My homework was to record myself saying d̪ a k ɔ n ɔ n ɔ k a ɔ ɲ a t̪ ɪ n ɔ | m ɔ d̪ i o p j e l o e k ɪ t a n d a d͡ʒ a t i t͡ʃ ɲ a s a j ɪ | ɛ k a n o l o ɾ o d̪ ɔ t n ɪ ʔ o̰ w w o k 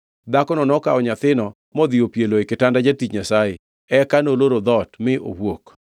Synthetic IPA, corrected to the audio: d̪ a k ɔ n ɔ n ɔ k a ɔ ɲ a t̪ ɪ n ɔ | m ɔ d̪ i o p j e l o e k ɪ t a n d a d͡ʒ a t i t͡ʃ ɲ a s a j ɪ | ɛ k a n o l o ɾ o d̪ ɔ t m ɪ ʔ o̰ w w o k